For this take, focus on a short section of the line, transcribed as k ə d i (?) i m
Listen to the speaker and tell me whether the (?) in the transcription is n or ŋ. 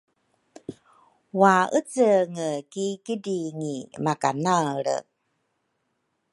ŋ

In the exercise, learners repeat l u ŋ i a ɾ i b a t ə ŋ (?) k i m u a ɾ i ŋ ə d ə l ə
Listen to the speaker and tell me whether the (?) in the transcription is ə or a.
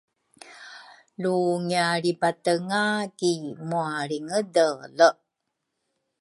a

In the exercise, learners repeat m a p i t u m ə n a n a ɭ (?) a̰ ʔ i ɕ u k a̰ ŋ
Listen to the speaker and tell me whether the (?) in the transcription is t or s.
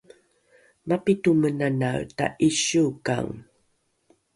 t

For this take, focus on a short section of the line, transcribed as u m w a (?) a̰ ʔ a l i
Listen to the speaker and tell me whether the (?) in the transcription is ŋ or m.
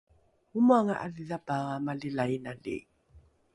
ŋ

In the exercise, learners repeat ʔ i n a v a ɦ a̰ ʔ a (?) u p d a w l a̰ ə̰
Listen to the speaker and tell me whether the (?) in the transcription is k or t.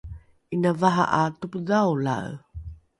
t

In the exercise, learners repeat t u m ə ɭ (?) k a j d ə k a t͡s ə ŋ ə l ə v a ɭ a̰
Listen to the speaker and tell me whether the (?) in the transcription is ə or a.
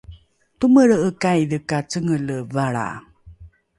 ə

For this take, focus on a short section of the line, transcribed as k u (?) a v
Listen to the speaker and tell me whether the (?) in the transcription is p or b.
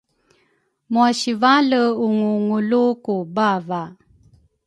b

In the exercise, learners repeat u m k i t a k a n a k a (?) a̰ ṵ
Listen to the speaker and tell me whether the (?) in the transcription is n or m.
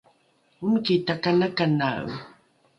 n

